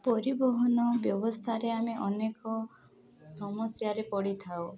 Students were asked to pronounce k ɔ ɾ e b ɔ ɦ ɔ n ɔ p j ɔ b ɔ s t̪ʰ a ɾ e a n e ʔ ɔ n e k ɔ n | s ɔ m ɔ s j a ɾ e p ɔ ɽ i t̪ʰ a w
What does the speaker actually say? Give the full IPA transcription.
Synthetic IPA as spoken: p ɔ ɾ i b ɔ ɦ ɔ n ɔ b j ɔ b ɔ s t̪ʰ a ɾ e a m e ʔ ɔ n e k ɔ | s ɔ m ɔ s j a ɾ e p ɔ ɽ i t̪ʰ a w